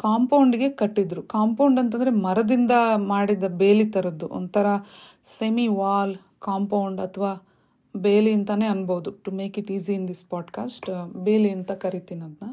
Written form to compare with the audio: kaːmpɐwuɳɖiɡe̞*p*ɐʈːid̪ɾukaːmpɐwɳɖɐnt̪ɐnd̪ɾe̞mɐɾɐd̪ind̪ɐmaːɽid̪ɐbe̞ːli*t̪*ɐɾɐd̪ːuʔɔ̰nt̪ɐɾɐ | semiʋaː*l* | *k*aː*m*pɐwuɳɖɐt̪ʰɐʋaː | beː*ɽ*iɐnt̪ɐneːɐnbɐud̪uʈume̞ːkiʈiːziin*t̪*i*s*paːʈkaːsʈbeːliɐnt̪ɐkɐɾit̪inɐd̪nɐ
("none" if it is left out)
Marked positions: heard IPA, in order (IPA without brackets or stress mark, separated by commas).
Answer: k, t̪, l, k, m, l, d̪, s